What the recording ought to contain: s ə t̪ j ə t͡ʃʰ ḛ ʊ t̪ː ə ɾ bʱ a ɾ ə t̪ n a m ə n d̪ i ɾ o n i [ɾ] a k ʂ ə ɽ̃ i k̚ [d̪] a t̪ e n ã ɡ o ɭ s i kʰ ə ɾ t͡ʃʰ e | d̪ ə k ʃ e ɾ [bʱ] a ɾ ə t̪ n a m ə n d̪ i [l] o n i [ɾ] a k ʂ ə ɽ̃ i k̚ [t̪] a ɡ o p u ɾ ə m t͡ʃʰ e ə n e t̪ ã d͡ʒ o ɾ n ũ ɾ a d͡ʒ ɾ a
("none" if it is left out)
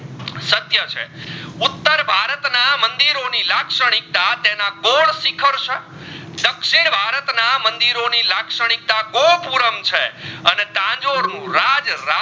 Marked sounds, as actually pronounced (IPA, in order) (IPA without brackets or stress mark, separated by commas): l, t̪, bʱ, ɾ, l, t̪